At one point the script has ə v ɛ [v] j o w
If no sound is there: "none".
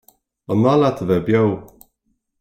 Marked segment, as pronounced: b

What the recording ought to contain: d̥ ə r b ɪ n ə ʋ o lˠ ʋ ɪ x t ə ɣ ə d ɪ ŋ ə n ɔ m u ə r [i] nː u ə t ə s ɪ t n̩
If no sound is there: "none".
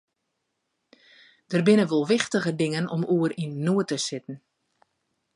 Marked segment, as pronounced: i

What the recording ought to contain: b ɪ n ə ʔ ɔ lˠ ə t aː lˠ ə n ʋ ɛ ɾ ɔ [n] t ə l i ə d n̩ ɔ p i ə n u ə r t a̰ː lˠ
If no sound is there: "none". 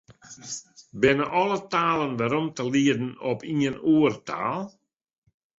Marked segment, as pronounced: m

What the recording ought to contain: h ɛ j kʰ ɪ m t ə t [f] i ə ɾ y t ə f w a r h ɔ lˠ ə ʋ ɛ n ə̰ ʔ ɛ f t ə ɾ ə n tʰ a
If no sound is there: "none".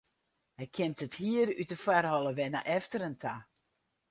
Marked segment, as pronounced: h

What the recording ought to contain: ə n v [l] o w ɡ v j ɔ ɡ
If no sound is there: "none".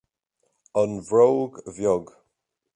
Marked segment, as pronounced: ɹ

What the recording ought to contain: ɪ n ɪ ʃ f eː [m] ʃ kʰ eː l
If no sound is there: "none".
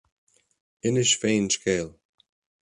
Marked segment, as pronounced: n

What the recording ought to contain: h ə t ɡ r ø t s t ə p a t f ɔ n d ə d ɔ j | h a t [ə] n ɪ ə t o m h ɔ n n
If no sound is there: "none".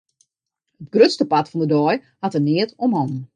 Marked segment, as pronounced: ə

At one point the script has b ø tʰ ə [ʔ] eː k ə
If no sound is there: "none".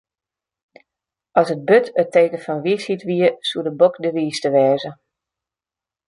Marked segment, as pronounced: t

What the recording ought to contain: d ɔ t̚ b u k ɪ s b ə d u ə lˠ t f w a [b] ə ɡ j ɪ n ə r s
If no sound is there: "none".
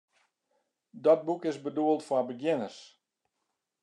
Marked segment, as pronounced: b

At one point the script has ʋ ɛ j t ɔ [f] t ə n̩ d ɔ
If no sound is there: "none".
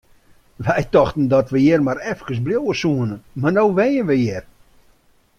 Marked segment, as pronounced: x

